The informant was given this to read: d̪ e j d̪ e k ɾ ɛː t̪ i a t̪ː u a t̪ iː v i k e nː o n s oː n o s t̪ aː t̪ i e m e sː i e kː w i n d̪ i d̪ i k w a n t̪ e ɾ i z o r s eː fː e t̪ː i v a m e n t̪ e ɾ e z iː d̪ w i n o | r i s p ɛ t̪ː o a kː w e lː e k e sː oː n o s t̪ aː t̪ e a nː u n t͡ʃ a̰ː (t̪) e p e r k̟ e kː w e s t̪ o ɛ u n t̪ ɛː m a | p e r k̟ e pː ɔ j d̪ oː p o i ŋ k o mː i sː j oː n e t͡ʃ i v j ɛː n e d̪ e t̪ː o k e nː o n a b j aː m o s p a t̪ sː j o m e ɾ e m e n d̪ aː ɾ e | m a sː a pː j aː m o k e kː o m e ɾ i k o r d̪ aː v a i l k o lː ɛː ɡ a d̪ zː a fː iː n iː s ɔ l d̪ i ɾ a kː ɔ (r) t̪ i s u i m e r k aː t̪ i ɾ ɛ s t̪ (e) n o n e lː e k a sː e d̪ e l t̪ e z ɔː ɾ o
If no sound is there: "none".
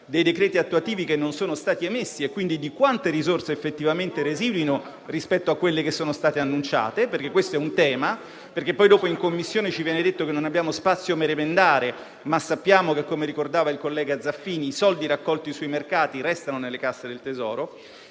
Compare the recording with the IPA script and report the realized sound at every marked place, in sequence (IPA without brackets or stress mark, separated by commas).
t̪, l, a